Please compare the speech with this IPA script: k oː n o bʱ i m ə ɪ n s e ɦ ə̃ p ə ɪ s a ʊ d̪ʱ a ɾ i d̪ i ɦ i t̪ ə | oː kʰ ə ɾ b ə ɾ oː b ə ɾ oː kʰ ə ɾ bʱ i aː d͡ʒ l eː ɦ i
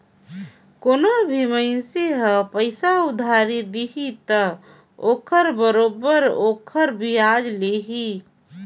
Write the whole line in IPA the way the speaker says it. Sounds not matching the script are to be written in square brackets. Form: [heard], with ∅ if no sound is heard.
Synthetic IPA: k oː n o bʱ i m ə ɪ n s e ɦ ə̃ p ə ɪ s a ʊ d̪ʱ a ɾ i d̪ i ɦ i t̪ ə | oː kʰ ə ɾ b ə ɾ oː b ə ɾ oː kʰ ə ɾ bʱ i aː d͡ʒ l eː ɦ i